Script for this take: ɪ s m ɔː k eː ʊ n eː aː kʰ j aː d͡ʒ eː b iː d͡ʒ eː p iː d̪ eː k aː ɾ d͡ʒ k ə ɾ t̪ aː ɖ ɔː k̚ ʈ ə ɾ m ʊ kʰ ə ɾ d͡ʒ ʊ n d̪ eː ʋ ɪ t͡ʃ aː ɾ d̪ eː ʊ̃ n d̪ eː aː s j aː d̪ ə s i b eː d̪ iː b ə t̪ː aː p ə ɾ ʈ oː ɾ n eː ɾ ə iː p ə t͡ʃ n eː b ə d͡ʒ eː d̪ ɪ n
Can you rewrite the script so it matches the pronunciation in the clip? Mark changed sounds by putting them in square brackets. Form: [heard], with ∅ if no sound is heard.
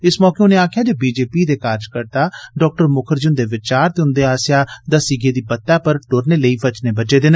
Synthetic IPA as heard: ɪ s m ɔː k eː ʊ n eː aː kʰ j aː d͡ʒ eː b iː d͡ʒ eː p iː d̪ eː k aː ɾ d͡ʒ k ə ɾ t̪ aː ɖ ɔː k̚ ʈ ə ɾ m ʊ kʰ ə ɾ d͡ʒ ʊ n d̪ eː ʋ ɪ t͡ʃ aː ɾ [t̪] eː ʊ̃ n d̪ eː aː s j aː d̪ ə s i [ɡ] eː d̪ iː b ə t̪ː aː p ə ɾ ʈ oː ɾ n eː [l] ə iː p ə t͡ʃ n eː b ə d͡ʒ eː d̪ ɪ n